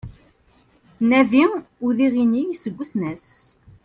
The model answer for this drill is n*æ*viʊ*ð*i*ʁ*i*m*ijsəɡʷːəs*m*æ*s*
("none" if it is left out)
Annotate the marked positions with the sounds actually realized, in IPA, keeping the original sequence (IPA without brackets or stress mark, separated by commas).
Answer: æ, ð, ʁ, n, n, s